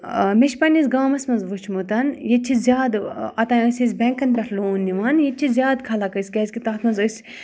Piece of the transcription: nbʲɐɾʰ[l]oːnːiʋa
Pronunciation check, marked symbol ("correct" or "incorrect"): correct